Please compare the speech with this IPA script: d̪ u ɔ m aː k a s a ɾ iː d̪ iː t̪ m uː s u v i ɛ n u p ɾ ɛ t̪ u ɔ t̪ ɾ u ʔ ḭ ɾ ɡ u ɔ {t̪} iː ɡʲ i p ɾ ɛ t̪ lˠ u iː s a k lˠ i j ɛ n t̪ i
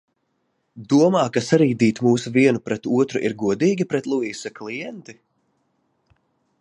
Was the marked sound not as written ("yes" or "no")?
yes